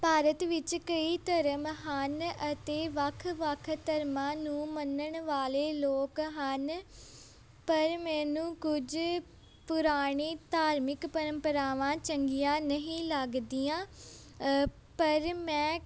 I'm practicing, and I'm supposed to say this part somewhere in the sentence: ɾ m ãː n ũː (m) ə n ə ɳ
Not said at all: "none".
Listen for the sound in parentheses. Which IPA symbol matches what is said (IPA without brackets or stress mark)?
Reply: m